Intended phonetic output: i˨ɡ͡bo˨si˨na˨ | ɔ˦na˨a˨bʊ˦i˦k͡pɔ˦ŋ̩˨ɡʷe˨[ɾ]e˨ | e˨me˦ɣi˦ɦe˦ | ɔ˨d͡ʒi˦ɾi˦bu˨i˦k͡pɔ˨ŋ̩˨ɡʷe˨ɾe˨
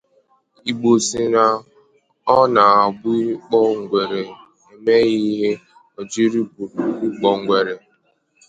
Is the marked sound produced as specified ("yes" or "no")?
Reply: yes